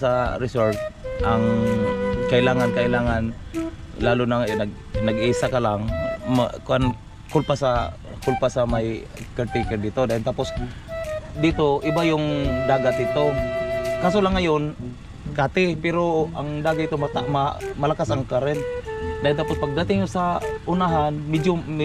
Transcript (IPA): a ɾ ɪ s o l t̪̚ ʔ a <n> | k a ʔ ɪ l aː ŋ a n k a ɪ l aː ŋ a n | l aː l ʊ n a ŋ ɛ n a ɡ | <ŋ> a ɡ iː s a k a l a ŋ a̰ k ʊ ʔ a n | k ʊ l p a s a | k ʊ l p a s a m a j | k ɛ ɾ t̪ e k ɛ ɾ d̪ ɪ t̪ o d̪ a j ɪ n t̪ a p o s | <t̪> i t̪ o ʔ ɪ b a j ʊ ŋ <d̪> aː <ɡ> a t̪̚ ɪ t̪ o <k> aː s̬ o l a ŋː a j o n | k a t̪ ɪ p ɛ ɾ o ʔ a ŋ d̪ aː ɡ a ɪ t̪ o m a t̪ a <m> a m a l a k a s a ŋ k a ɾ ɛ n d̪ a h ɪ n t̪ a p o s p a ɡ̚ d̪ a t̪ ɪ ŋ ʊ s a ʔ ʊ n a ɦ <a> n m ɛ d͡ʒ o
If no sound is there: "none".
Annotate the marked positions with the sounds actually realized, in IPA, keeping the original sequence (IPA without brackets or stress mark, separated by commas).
ŋ, n, d̪, d̪, ɡ, k, m, a